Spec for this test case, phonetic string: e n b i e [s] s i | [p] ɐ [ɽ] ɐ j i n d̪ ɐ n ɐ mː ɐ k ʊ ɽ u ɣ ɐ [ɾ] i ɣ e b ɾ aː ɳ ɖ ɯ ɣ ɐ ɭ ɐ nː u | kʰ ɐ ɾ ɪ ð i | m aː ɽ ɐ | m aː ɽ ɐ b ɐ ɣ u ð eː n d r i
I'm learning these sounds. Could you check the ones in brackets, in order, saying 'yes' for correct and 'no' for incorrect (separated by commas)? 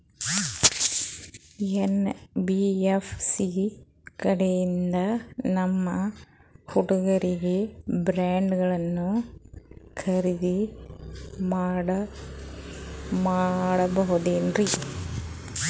no, no, yes, yes